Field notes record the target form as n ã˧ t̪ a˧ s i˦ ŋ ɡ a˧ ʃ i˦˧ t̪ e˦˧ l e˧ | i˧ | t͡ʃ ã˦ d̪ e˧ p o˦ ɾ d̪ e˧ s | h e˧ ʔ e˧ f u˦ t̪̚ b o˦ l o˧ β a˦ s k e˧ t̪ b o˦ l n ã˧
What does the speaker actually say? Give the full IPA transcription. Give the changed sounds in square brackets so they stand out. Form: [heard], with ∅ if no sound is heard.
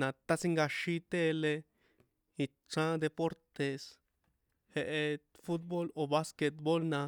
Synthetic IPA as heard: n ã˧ t̪ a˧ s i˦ ŋ ɡ a˧ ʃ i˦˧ t̪ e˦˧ l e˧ | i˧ | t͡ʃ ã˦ d̪ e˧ p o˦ ɾ [t̪] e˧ s | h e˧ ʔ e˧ f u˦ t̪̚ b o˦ l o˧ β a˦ s k e˧ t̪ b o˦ l n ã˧

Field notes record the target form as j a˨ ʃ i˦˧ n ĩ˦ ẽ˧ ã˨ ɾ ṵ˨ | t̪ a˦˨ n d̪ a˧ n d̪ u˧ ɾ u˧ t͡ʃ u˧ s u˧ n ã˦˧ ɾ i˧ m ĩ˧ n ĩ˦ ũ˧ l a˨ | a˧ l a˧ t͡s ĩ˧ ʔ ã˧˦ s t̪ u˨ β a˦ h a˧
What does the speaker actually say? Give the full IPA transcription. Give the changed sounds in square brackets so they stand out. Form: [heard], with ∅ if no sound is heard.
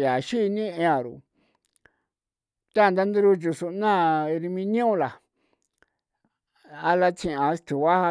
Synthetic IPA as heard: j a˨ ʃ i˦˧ n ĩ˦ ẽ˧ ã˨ ɾ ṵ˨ | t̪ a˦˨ n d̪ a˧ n d̪ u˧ ɾ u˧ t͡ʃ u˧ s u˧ n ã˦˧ ɾ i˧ m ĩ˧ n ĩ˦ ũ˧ l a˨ | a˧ l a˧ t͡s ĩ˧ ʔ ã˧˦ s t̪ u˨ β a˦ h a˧

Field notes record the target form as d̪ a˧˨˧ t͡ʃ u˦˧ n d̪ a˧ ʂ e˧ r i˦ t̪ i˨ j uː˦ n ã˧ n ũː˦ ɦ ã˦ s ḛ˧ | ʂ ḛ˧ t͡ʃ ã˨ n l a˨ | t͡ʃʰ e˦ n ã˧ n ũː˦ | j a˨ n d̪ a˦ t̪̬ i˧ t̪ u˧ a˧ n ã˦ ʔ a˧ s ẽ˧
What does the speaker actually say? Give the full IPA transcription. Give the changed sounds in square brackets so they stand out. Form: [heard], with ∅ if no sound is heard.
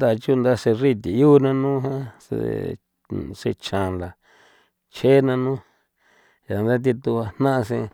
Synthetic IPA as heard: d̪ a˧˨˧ t͡ʃ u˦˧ n d̪ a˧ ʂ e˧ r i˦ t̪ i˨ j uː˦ n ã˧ n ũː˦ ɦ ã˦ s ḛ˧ | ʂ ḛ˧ t͡ʃ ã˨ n l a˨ | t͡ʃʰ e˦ n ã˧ n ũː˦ | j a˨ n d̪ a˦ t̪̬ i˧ t̪ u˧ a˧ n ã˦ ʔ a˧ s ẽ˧

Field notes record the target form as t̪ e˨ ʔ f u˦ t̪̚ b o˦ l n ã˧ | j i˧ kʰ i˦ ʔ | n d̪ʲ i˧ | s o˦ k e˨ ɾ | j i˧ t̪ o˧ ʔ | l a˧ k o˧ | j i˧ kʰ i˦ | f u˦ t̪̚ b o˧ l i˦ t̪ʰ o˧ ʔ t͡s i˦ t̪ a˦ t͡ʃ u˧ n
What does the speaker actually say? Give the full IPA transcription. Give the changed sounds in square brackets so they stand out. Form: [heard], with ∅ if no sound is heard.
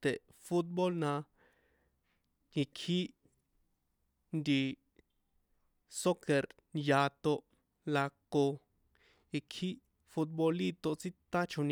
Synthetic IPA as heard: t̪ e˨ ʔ f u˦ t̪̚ b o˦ l n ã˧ | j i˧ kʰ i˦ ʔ | n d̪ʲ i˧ | s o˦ k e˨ ɾ | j [a˧] t̪ o˧ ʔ | l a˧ k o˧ | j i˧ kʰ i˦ | f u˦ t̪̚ b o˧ l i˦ [t̪] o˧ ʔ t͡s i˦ t̪ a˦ t͡ʃ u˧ n

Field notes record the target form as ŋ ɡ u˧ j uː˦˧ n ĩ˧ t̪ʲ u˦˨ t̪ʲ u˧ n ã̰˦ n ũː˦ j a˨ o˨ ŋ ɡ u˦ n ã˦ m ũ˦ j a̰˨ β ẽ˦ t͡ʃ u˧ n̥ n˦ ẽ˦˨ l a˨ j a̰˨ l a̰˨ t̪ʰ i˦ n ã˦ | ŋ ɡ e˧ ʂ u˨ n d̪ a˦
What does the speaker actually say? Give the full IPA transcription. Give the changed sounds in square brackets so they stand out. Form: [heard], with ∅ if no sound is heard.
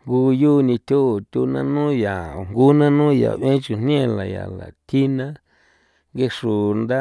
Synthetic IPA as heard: ŋ ɡ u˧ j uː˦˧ n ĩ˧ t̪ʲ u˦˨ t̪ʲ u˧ n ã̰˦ n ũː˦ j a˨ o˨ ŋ ɡ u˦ n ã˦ [n] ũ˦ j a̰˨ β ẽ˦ t͡ʃ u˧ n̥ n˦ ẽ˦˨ l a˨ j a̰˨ l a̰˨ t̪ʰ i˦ n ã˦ | ŋ ɡ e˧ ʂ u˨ n d̪ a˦

